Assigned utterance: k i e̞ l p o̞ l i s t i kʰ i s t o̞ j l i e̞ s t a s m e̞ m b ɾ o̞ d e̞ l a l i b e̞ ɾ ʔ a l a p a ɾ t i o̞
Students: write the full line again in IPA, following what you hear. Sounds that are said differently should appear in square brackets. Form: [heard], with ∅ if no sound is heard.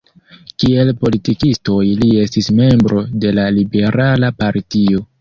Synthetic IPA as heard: k i e̞ l p o̞ l i [∅] t i [k] i s t o̞ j l i e̞ s t [i] s m e̞ m b ɾ o̞ d e̞ l a l i b e̞ ɾ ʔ a l a p a ɾ t i o̞